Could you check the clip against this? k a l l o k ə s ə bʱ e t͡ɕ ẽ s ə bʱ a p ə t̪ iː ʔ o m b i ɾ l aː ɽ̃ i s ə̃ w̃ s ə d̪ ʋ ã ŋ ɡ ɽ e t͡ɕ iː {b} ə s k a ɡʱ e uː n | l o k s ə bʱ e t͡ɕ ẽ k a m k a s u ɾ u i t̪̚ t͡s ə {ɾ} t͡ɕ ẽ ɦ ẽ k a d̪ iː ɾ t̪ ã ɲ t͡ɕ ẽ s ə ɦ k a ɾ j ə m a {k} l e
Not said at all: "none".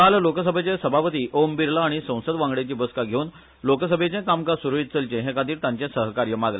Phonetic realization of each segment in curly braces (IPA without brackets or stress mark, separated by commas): b, l, ɡ